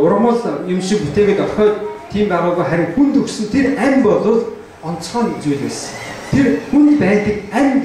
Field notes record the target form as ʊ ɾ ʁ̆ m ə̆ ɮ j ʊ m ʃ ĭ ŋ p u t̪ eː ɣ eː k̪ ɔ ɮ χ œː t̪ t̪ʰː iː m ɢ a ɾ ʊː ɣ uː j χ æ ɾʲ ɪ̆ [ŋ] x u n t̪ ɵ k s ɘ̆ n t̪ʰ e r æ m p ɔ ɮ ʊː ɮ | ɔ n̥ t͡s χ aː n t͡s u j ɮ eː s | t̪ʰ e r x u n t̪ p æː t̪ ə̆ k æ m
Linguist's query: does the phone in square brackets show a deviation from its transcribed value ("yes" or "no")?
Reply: no